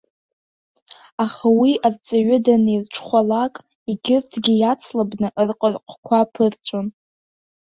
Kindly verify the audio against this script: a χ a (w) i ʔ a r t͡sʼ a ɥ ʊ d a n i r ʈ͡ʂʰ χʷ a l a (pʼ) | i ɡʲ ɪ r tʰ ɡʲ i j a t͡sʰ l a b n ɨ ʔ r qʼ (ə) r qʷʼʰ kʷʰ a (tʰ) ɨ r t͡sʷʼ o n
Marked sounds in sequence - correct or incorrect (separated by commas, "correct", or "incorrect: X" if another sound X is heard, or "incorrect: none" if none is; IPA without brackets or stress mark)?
correct, incorrect: kʼ, correct, incorrect: pʰ